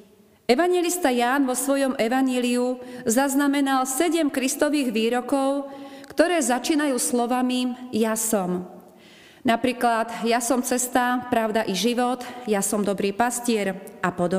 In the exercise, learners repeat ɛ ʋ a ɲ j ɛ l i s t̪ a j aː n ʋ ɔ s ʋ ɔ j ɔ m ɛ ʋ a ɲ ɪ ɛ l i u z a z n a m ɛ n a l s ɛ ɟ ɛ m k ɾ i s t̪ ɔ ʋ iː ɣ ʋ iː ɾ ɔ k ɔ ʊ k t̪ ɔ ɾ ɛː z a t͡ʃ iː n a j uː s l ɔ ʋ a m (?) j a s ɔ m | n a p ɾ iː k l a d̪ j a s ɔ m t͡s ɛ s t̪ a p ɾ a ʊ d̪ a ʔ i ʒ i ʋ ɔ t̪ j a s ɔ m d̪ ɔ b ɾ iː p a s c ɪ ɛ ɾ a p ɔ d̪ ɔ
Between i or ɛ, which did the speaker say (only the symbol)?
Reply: i